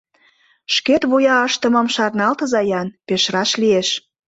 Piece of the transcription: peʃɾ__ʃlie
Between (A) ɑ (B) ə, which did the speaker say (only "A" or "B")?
A